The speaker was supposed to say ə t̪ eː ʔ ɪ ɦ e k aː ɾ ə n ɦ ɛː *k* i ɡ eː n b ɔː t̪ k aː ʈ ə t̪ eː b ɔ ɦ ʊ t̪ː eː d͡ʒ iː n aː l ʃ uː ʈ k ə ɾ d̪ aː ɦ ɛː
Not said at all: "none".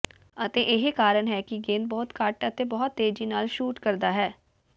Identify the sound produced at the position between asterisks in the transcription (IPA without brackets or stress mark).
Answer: k